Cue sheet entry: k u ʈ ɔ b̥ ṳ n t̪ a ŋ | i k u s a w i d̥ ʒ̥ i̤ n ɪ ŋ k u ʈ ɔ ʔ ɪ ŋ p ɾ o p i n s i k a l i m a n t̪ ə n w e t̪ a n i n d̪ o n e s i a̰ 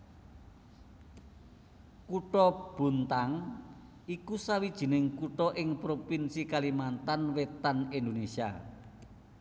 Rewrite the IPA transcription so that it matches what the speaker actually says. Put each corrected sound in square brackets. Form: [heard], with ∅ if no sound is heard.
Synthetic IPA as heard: k u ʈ ɔ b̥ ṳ n t̪ a ŋ | i k u s a w i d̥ ʒ̥ i̤ n ɪ ŋ k u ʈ ɔ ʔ ɪ ŋ p ɾ o p i n s i k a l i m a n t̪ [a] n w e t̪ a n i n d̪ o n e s i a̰